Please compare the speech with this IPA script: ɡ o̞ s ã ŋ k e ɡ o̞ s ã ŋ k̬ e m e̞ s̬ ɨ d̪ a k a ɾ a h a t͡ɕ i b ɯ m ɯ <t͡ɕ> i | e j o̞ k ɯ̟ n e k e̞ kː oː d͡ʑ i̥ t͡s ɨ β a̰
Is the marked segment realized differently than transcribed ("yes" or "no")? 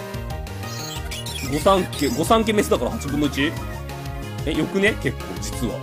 no